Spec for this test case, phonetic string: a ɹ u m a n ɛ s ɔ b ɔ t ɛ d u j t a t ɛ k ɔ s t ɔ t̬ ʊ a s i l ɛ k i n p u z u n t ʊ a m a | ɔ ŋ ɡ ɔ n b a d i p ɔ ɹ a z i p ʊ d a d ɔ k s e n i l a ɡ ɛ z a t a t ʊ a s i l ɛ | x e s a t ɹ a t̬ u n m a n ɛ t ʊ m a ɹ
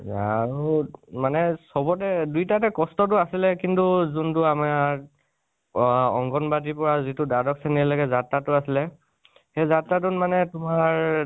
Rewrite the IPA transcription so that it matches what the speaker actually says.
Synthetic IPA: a ɹ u m a n ɛ s ɔ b ɔ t ɛ d u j t a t ɛ k ɔ s t ɔ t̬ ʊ a s i l ɛ k i n t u z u n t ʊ a m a | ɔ ŋ ɡ ɔ n b a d i p ɔ ɹ a z i t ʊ d a d ɔ k s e n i l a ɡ ɛ z a t a t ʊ a s i l ɛ | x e z a t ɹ a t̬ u n m a n ɛ t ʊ m a ɹ